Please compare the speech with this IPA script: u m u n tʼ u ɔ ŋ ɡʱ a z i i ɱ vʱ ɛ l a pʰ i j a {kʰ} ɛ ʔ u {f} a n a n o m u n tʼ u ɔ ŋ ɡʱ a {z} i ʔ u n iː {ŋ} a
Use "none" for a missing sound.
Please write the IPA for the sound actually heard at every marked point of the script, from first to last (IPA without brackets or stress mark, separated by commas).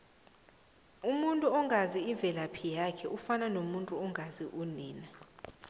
kʰ, f, z, n